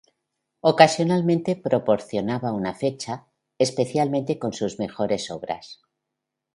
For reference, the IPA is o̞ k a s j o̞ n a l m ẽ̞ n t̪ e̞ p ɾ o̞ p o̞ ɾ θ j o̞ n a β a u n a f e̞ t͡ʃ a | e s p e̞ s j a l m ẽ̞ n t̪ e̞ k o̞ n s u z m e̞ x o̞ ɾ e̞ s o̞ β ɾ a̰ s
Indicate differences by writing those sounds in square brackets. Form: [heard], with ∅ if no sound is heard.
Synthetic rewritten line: o̞ k a s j o̞ n a l m ẽ̞ n t̪ e̞ p ɾ o̞ p o̞ ɾ θ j o̞ n a β a u n a f e̞ t͡ʃ a | e s p e̞ [θ] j a l m ẽ̞ n t̪ e̞ k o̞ n s u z m e̞ x o̞ ɾ e̞ s o̞ β ɾ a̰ s

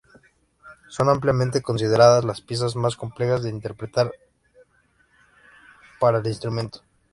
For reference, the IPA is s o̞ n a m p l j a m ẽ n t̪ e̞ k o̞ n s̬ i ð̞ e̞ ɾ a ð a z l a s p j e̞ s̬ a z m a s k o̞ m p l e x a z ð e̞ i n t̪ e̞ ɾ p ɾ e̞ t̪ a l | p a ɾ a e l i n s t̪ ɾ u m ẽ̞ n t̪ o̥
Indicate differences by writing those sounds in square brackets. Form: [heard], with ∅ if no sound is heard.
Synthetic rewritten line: s o̞ n a m p l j a m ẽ n t̪ e̞ k o̞ n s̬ i ð̞ e̞ ɾ a ð a z l a s p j e̞ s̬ a z m a s k o̞ m p l e x a z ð e̞ i n t̪ e̞ ɾ p ɾ e̞ t̪ a [ɾ] | p a ɾ a e l i n s t̪ ɾ u m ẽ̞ n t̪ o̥

